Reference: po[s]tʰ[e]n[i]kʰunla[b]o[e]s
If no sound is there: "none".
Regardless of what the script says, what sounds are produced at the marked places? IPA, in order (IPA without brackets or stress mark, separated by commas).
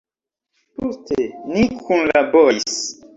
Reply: s, e, i, b, i